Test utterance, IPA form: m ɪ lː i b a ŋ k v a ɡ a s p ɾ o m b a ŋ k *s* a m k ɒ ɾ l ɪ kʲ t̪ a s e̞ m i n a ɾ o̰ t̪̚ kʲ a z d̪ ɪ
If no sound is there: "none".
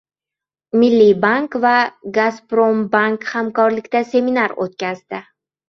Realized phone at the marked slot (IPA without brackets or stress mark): h